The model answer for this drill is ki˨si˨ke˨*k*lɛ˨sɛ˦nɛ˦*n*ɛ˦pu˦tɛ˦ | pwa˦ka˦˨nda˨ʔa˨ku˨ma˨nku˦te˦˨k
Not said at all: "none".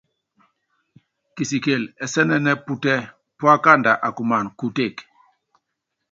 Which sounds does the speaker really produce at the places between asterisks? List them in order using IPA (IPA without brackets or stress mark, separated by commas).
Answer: none, n